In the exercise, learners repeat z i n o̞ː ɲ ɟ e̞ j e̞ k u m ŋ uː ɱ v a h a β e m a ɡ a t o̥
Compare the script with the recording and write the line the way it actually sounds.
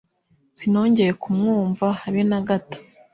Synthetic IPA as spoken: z i n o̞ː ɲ ɟ e̞ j e̞ k u m ŋ uː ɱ v a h a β e n a ɡ a t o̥